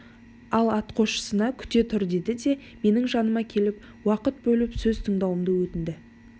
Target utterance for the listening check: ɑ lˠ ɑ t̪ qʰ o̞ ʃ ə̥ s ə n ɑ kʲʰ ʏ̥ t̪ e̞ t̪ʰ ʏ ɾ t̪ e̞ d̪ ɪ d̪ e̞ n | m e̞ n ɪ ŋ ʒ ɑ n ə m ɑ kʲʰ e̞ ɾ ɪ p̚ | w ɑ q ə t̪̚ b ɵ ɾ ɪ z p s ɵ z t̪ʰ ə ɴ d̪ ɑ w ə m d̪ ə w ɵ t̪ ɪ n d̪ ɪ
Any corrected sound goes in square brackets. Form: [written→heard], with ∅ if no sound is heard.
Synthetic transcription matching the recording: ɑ lˠ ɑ t̪ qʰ o̞ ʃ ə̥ s ə n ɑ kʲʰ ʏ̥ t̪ e̞ t̪ʰ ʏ ɾ [t̪→d̪] e̞ d̪ ɪ d̪ e̞ [n→∅] | m e̞ n ɪ ŋ ʒ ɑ n ə m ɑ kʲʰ e̞ [ɾ→l] ɪ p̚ | w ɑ q ə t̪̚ b ɵ [ɾ→l] ɪ [z→∅] p s ɵ z t̪ʰ ə ɴ d̪ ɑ w ə m d̪ ə w ɵ t̪ ɪ n d̪ ɪ